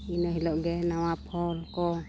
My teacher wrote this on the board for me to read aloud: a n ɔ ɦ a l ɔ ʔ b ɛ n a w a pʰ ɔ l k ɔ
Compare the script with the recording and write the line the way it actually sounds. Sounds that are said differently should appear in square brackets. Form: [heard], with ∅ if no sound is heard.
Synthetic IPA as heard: [i] n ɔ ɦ [i] l ɔ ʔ [ɡ] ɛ n a w a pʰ ɔ l k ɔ